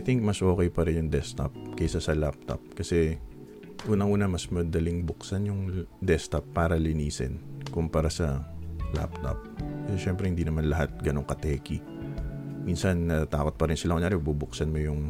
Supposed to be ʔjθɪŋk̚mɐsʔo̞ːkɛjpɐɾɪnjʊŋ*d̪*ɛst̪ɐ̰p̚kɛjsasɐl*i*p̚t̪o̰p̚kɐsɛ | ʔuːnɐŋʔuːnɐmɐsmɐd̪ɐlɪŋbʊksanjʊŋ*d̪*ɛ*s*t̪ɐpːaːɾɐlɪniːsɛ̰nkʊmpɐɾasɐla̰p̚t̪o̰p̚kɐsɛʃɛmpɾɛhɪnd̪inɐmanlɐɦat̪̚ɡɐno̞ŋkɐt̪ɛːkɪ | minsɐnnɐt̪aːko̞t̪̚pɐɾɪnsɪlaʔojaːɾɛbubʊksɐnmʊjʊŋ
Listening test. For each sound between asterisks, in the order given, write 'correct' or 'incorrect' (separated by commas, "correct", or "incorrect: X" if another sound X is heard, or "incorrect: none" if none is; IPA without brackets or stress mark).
correct, incorrect: a, correct, correct